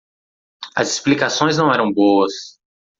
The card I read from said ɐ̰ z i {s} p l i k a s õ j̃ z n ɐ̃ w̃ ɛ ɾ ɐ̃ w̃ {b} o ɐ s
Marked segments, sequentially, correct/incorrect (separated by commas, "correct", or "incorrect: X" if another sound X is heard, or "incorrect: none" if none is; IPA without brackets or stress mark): correct, correct